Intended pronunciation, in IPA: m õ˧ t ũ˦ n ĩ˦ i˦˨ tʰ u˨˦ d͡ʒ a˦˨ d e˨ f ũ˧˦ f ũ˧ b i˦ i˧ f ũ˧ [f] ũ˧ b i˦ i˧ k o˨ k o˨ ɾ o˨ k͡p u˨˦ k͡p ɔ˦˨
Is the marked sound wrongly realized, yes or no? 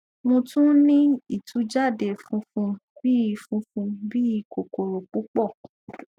no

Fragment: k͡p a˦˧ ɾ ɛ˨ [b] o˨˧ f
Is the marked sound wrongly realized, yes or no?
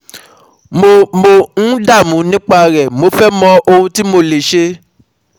yes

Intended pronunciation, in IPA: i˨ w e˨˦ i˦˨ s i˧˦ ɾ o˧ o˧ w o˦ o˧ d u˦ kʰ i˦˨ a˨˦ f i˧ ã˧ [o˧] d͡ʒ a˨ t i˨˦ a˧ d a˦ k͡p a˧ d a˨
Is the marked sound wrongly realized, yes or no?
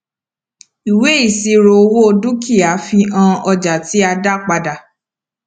yes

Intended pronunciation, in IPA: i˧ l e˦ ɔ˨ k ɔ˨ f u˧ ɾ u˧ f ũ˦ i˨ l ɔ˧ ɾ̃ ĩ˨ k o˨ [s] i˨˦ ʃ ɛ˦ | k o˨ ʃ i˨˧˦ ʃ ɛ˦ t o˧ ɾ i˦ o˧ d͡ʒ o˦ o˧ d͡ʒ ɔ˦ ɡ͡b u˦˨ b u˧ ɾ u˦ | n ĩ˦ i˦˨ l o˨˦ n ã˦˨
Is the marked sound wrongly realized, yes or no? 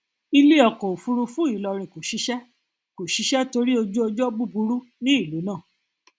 yes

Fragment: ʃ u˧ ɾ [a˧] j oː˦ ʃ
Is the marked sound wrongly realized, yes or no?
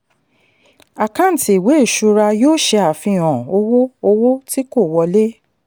no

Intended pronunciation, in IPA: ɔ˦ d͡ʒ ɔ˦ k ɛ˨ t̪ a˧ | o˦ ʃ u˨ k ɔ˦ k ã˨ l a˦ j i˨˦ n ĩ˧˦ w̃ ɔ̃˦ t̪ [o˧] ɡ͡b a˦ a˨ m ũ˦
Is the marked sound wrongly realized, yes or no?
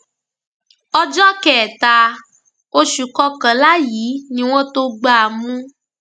no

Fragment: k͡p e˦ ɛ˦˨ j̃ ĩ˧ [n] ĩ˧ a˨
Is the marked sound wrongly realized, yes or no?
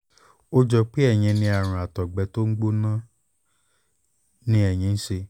no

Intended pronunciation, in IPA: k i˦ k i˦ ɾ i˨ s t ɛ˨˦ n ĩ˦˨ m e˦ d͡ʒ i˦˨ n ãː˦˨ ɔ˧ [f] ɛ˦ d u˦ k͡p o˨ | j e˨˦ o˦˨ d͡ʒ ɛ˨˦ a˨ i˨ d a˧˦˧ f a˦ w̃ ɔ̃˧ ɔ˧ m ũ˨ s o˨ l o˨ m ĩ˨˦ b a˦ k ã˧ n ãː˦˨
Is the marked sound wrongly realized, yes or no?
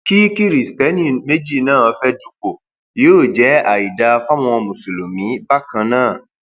no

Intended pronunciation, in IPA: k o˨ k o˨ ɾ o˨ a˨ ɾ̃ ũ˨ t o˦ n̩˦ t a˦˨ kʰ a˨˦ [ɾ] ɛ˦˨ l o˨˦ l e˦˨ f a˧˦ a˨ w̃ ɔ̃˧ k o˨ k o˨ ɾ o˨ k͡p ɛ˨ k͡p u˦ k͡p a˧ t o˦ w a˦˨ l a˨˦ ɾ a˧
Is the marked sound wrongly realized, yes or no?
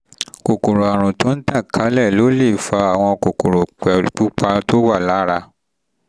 yes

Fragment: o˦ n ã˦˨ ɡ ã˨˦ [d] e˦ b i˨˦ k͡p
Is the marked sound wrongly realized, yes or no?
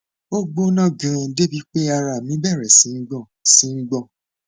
no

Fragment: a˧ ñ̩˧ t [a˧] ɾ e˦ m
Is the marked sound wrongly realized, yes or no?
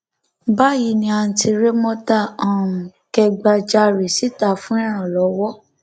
yes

